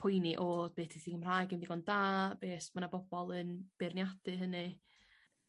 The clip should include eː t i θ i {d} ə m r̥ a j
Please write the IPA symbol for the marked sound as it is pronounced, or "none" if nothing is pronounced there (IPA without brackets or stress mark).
ɡ